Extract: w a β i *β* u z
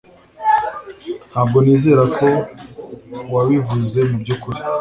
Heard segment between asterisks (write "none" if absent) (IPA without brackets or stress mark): v